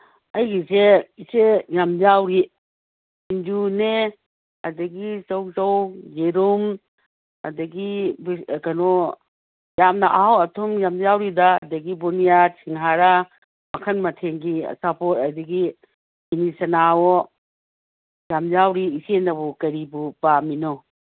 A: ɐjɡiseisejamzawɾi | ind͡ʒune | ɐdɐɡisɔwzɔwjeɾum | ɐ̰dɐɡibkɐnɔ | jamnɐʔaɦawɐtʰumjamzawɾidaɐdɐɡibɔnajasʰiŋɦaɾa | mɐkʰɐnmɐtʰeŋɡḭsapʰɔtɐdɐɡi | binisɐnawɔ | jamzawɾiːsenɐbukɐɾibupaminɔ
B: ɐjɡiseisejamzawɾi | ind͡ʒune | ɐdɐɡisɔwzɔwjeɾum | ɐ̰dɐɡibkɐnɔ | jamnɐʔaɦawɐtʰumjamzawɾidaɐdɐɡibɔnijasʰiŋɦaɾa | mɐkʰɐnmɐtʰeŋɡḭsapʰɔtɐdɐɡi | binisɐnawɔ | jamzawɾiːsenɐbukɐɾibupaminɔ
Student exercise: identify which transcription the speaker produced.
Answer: B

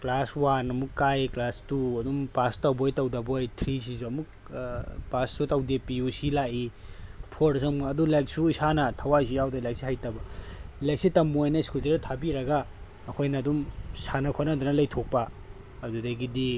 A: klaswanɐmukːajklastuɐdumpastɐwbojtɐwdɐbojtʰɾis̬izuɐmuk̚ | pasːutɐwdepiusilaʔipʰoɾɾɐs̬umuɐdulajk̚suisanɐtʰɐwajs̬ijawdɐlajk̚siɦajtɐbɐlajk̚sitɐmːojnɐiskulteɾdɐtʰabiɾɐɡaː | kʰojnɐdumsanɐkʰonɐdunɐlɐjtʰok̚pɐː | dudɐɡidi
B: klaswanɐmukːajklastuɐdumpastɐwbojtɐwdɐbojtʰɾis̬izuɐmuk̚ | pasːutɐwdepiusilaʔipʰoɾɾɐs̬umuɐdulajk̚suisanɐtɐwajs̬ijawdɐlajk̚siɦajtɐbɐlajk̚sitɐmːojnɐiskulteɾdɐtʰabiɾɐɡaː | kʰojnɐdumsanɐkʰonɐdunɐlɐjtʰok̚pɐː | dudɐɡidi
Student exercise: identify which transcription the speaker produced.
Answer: A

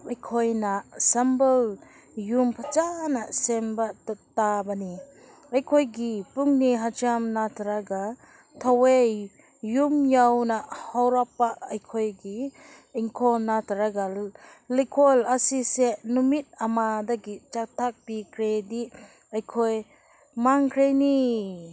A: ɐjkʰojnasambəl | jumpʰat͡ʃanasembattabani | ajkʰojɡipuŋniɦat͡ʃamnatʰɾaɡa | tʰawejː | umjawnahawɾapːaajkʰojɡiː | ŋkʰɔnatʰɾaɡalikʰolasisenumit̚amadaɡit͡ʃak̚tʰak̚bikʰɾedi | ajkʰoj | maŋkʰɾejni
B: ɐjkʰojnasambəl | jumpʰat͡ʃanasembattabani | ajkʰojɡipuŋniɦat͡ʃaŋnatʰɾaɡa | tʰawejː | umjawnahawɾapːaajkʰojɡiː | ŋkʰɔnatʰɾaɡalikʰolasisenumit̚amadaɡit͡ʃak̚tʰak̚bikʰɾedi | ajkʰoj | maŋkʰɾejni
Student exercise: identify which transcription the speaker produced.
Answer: A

